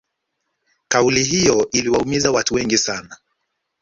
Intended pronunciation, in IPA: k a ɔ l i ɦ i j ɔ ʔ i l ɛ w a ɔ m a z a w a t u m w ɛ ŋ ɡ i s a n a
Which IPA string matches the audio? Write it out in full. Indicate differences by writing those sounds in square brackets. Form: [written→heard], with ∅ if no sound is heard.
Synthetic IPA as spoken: k a [ɔ→u] l i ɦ i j ɔ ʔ i l [ɛ→i] w a [ɔ→u] m [a→i] z a w a t u [m→∅] w ɛ ŋ ɡ i s a n a